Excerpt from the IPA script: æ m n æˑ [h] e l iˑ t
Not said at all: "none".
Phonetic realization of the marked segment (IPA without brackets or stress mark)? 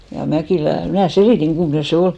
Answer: s